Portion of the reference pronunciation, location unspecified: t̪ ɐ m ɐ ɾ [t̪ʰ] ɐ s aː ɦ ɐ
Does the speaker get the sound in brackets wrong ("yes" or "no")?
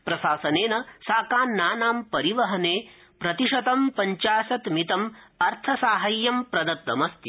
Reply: no